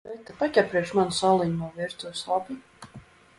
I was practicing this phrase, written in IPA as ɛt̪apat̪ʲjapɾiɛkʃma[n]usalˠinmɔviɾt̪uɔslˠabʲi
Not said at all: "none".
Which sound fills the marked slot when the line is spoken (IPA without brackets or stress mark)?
n